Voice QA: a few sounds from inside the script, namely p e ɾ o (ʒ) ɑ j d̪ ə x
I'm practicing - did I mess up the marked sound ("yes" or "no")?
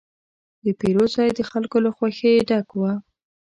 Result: yes